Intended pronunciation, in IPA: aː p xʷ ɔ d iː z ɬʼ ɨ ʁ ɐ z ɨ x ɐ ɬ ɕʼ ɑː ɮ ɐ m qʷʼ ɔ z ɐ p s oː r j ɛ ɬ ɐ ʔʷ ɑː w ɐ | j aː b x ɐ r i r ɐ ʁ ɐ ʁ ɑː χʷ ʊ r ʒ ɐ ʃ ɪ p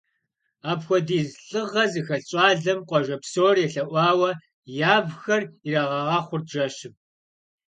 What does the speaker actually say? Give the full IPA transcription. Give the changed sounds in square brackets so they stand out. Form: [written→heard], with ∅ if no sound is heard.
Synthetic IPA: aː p xʷ ɔ d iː z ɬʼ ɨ ʁ ɐ z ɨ x ɐ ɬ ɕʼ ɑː ɮ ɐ m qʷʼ ɔ [z→ʒ] ɐ p s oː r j ɛ ɬ ɐ ʔʷ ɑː w ɐ | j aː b x ɐ r i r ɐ ʁ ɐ ʁ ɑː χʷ ʊ r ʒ ɐ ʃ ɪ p